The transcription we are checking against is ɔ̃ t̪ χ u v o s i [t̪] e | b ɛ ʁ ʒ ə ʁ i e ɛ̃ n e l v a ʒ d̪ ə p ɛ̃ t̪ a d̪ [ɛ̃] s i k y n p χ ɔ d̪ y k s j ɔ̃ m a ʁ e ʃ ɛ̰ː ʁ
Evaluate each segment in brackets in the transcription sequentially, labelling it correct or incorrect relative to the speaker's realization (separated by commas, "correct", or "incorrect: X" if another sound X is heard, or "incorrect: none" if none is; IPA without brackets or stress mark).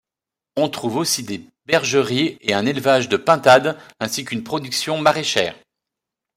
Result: incorrect: d̪, correct